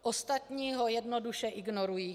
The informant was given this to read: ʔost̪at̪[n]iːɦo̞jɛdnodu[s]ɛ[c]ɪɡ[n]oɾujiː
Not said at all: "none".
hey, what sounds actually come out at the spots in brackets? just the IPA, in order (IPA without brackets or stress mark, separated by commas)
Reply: ɲ, ʃ, ʔ, n